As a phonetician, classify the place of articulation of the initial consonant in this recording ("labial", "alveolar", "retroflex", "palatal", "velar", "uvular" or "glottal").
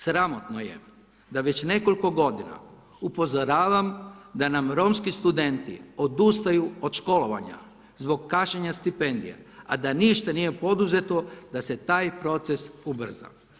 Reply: alveolar